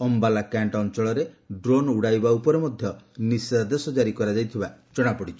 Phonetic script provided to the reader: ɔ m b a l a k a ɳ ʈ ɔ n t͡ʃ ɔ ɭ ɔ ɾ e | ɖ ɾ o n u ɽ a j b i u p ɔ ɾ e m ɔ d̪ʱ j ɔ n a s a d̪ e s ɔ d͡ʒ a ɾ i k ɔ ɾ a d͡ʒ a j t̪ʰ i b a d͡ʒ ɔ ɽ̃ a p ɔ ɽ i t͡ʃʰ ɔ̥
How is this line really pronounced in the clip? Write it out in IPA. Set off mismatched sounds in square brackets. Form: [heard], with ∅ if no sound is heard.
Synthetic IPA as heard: ɔ m b a l a k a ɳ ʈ ɔ n t͡ʃ ɔ ɭ ɔ ɾ e | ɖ ɾ o n u ɽ a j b [a] u p ɔ ɾ e m ɔ d̪ʱ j ɔ n [i] s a d̪ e s ɔ d͡ʒ a ɾ i k ɔ ɾ a d͡ʒ a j t̪ʰ i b a d͡ʒ ɔ ɽ̃ a p ɔ ɽ i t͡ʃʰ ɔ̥